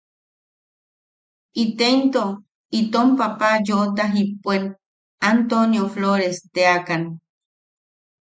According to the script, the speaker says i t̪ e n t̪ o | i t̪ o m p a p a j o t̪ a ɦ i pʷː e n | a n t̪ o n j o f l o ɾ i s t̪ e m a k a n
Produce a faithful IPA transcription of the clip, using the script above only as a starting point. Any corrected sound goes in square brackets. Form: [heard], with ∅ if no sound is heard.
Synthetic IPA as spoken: i t̪ e n t̪ o | i t̪ o m p a p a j o t̪ a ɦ i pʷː e n | a n t̪ o n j o f l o ɾ [e] s t̪ e [∅] a k a n